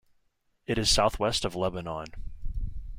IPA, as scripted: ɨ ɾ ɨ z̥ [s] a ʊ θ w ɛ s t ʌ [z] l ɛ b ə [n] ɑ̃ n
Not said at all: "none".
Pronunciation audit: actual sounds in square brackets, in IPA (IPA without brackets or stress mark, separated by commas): s, v, n